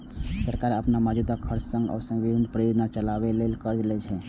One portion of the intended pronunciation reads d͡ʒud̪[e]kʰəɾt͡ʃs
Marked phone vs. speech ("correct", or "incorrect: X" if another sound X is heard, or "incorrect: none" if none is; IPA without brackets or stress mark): incorrect: a